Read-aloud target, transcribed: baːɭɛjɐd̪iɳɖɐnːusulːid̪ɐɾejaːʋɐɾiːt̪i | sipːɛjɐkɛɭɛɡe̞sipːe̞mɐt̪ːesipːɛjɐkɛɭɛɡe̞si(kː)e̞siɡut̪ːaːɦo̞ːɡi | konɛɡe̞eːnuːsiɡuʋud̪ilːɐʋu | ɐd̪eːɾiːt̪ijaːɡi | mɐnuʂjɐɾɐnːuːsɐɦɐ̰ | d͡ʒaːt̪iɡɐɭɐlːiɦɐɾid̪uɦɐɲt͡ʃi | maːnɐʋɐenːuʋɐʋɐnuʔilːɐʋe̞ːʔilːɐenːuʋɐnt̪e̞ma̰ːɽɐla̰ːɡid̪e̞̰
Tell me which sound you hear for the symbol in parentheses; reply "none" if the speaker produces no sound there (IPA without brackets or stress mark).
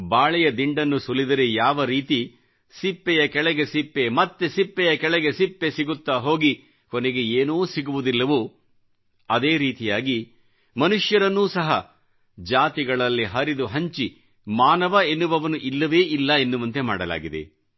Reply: pː